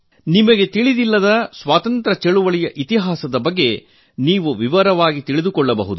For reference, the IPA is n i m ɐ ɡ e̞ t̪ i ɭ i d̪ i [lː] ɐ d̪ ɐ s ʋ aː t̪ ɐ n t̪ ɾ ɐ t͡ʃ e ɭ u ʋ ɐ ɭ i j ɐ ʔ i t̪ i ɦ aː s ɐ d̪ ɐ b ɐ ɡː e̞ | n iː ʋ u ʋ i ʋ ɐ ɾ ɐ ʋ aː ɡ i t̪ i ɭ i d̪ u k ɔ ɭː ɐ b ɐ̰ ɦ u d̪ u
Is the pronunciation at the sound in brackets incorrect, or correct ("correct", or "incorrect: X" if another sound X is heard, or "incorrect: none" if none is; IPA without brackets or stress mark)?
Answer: correct